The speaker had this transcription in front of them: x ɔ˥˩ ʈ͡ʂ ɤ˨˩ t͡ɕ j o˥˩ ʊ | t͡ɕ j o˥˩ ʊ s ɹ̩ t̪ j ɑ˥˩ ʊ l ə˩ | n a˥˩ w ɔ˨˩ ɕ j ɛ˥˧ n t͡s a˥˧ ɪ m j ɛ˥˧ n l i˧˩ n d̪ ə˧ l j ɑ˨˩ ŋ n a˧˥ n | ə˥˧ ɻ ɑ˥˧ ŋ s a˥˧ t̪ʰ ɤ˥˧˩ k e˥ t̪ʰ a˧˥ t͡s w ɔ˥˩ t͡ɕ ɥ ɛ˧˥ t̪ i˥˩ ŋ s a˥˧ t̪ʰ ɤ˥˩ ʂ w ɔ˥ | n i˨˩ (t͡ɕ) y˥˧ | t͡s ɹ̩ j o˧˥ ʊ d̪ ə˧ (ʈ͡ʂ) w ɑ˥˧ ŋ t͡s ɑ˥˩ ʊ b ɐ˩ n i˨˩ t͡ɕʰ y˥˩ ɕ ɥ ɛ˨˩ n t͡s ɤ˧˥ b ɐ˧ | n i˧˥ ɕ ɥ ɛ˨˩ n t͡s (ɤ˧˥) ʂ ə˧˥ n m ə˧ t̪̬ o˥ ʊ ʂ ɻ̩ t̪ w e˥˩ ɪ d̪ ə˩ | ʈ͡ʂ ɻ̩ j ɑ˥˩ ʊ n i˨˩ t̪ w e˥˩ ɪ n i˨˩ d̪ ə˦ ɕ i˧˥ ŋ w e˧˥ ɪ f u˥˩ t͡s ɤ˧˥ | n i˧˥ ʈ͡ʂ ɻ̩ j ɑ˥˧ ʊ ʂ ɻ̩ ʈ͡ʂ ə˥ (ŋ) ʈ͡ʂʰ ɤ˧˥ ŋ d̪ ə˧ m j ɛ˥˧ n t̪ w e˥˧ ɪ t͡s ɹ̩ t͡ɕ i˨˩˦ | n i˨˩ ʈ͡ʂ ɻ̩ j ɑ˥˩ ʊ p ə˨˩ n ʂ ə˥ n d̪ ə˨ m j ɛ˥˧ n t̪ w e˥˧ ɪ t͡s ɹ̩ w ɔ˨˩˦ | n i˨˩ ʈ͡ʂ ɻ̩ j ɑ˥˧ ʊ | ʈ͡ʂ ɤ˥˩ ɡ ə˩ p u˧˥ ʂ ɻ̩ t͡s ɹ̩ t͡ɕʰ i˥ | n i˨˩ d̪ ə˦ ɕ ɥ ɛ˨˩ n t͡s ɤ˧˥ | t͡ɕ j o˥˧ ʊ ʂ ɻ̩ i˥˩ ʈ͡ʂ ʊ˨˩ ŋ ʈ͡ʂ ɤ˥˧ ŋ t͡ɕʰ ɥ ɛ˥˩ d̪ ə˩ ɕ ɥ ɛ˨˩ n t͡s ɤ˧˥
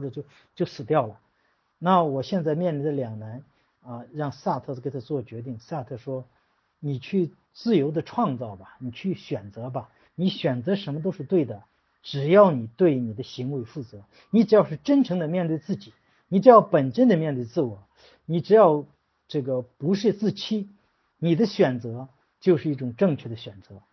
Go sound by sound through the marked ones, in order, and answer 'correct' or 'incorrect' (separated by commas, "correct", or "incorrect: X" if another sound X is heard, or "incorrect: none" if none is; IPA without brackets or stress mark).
incorrect: t͡ɕʰ, incorrect: ʈ͡ʂʰ, correct, incorrect: n